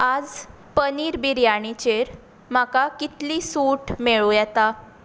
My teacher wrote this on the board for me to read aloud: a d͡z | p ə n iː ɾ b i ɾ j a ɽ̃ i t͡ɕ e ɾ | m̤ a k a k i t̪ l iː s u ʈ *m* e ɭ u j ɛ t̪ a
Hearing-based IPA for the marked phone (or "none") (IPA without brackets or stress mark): m